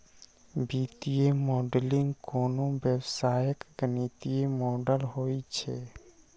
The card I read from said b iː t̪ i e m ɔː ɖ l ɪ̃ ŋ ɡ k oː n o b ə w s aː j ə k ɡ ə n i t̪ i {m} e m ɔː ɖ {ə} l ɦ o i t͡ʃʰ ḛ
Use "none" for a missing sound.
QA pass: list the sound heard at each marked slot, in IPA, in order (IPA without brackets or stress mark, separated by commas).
none, ə